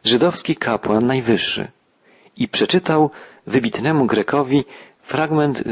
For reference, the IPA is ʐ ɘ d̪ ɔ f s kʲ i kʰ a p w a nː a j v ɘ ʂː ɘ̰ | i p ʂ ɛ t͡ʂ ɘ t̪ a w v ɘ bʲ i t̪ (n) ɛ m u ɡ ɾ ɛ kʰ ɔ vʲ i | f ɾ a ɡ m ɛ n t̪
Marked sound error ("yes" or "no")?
no